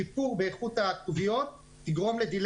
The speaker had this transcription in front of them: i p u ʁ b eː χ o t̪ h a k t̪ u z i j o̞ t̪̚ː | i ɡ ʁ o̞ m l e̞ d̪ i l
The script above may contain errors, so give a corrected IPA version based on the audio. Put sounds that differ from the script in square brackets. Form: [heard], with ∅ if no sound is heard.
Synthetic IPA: i p u ʁ b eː χ [u] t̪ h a k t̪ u [v] i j o̞ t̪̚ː | i ɡ ʁ o̞ m l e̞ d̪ i l